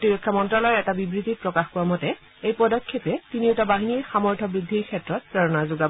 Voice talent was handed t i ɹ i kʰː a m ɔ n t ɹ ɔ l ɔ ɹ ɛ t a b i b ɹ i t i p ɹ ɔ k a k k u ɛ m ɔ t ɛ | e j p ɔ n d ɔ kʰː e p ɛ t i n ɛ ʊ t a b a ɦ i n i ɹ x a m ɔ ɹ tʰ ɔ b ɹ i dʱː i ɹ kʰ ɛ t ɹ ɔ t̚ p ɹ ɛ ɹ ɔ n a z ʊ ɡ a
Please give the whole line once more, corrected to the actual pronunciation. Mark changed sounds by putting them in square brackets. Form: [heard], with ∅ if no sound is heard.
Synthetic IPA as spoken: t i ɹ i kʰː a m ɔ n t ɹ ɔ l ɔ ɹ ɛ t a b i b ɹ i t i p ɹ ɔ k a [x] k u [a] m ɔ t ɛ | e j p ɔ [∅] d ɔ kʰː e p ɛ t i n [i] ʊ t a b a ɦ i n i ɹ x a m ɔ ɹ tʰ ɔ b ɹ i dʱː i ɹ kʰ ɛ t ɹ ɔ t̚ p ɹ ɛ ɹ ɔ n a z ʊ ɡ a